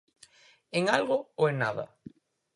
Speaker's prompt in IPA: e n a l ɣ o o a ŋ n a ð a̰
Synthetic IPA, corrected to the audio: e ŋ a l ɣ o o e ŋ n a ð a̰